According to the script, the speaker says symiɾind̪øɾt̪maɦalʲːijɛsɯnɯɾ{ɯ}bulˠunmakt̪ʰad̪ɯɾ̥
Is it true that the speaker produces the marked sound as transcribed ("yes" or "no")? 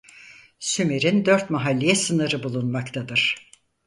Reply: yes